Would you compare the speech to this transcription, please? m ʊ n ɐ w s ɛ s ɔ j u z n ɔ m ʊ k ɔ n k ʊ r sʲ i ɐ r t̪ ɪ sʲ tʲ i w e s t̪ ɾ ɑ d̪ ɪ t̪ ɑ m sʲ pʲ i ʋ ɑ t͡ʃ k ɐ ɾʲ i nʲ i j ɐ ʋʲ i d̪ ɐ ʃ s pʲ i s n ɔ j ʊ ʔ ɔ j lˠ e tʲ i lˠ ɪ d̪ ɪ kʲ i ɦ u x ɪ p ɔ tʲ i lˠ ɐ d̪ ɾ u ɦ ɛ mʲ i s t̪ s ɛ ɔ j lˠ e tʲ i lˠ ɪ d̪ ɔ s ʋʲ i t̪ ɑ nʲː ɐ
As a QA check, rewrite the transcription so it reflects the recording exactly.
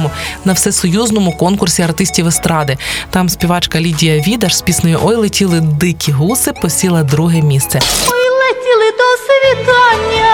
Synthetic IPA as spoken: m ʊ n ɐ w s ɛ s ɔ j u z n ɔ m ʊ k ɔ n k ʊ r sʲ i ɐ r t̪ ɪ sʲ tʲ i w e s t̪ ɾ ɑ d̪ ɪ t̪ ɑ m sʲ pʲ i ʋ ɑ t͡ʃ k ɐ lʲ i dʲ i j ɐ ʋʲ i d̪ ɐ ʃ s pʲ i s n ɔ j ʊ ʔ ɔ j lˠ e tʲ i lˠ ɪ d̪ ɪ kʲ i ɦ u s ɪ p ɔ sʲ i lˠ ɐ d̪ ɾ u ɦ ɛ mʲ i s t̪ s ɛ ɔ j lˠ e tʲ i lˠ ɪ d̪ ɔ s ʋʲ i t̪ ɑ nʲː ɐ